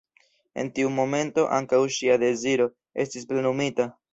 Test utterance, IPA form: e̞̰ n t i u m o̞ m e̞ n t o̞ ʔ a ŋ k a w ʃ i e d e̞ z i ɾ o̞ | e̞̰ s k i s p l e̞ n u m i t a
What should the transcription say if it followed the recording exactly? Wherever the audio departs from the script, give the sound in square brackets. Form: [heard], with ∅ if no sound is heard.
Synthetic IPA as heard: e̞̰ n t i u m o̞ m e̞ n t o̞ ʔ a ŋ k a w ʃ i [a] d e̞ z i ɾ o̞ | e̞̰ s [t] i s p l e̞ n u m i t a